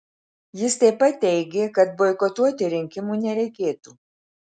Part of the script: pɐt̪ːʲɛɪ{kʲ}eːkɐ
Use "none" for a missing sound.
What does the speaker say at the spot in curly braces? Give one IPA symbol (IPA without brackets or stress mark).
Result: ɡʲ